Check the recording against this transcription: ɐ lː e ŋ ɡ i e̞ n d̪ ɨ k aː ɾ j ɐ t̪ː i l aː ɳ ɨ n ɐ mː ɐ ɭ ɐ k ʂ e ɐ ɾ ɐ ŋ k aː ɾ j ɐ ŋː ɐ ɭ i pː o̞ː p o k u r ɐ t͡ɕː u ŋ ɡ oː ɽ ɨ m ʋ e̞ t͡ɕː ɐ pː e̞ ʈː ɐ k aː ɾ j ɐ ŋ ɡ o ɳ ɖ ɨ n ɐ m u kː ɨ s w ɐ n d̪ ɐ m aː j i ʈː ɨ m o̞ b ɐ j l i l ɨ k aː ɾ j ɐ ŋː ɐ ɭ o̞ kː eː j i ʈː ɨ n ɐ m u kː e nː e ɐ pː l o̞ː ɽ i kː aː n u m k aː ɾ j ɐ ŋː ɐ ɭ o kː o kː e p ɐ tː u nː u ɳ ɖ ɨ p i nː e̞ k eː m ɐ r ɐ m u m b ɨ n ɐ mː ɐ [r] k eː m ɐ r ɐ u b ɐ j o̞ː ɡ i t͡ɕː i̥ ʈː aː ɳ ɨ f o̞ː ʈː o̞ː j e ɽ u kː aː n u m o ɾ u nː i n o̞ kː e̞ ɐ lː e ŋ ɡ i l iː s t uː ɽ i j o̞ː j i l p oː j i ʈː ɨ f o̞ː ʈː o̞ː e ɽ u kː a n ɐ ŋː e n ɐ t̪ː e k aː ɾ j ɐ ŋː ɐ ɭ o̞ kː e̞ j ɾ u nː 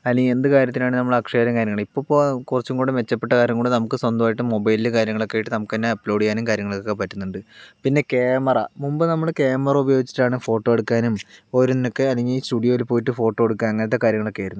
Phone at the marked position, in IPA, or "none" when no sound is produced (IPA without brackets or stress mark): ɭ